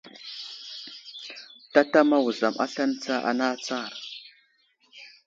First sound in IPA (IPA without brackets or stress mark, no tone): t